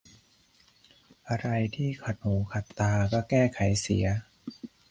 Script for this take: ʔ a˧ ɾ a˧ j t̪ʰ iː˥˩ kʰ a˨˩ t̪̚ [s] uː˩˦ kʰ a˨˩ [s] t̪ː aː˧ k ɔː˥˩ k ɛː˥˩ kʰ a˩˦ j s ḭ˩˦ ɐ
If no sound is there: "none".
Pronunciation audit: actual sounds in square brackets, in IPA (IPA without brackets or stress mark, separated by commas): h, none